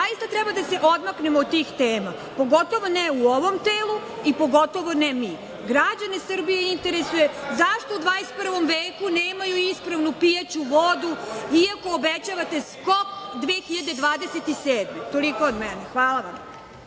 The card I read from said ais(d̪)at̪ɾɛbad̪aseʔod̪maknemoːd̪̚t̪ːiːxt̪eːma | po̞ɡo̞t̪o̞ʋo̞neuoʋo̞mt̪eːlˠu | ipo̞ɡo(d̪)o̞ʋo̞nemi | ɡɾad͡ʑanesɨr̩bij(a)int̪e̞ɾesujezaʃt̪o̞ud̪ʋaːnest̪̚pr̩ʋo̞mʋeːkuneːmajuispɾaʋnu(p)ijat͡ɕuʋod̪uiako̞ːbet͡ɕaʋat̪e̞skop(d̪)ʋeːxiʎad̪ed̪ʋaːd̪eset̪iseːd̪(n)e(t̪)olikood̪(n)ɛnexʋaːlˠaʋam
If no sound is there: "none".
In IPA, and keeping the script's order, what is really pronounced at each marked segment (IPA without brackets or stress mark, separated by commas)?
t̪, t̪, e, p, d̪, m, t̪, m